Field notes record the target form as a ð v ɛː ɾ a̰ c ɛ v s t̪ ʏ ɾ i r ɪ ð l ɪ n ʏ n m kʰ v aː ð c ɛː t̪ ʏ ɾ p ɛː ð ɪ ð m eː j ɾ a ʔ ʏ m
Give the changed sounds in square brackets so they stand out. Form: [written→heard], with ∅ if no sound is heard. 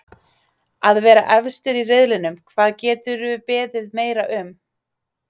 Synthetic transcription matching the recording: a ð v ɛː ɾ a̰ [c→ʔ] ɛ v s t̪ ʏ ɾ i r ɪ ð l ɪ n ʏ [n→∅] m kʰ v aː ð c ɛː t̪ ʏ ɾ p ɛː ð ɪ ð m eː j ɾ a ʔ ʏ m